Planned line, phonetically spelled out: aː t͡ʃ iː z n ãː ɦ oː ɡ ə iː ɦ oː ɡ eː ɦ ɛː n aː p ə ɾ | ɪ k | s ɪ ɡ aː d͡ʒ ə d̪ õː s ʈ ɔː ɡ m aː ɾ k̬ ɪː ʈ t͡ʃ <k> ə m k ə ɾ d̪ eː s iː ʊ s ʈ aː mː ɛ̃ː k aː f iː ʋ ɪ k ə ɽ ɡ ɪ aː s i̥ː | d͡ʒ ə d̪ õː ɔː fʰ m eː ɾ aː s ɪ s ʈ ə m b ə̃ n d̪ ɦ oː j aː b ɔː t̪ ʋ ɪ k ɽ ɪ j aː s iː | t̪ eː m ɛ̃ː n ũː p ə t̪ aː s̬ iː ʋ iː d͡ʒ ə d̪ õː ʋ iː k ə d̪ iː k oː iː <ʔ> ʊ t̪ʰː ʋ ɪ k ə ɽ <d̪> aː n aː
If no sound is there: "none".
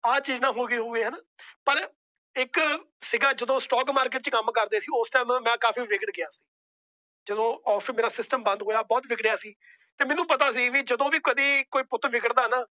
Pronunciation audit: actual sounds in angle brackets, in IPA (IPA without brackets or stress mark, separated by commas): k, p, d̪